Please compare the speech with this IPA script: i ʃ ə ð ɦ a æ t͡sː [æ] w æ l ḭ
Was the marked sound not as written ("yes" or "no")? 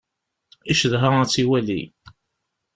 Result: yes